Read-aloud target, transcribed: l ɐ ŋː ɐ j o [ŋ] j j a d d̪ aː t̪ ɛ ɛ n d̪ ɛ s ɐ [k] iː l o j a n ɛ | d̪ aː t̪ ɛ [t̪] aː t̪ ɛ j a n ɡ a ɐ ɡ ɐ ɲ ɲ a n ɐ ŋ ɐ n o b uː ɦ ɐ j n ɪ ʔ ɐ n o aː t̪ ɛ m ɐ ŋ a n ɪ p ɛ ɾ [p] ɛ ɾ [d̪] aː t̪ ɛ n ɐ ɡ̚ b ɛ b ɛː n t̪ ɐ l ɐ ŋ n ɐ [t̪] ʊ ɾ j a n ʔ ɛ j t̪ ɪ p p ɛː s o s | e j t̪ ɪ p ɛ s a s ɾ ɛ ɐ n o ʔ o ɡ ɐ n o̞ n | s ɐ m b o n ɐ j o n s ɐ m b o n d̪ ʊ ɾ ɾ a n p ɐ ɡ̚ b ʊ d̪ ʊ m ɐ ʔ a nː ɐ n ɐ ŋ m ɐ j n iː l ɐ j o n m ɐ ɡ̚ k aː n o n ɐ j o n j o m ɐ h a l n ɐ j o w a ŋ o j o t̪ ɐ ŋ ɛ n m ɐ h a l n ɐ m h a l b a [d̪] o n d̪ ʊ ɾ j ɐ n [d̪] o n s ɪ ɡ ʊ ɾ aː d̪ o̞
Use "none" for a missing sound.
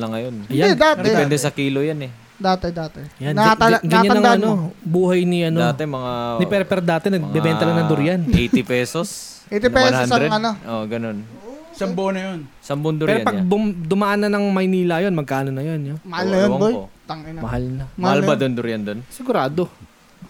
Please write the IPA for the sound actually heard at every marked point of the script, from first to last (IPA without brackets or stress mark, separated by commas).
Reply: n, k, d̪, p, d̪, d̪, d̪, d̪